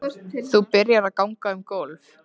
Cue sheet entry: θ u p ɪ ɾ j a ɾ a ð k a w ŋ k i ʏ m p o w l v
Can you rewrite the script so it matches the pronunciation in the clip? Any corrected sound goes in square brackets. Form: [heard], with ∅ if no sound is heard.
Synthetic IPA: θ u p ɪ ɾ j a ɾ a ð k a w ŋ k [a] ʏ m [k] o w l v